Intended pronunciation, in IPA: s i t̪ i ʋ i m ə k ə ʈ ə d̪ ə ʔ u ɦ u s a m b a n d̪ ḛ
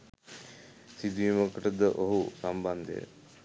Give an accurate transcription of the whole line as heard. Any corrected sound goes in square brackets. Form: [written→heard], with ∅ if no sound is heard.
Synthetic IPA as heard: s i [t̪→d̪] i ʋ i m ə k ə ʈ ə d̪ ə ʔ [u→o] ɦ u s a m b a n d̪ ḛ